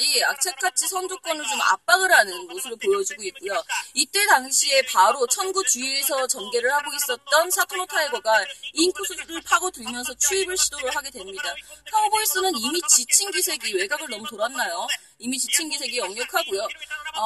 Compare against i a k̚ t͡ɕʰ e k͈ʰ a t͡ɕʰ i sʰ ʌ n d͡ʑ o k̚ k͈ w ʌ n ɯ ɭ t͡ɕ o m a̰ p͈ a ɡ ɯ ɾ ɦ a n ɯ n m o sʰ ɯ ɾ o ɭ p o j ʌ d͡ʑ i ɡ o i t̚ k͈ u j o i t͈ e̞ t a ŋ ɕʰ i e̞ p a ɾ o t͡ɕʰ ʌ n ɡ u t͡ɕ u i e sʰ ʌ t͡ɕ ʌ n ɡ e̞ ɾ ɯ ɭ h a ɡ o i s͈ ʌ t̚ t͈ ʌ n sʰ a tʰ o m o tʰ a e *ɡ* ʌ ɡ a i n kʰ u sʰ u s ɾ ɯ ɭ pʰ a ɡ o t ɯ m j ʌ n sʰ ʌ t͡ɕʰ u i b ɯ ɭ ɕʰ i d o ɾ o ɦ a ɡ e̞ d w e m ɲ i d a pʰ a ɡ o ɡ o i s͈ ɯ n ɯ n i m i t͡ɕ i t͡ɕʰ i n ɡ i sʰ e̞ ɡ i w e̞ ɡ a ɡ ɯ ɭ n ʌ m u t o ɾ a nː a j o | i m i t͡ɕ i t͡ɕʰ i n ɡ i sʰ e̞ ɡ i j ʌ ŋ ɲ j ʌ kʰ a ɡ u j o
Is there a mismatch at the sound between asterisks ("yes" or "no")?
no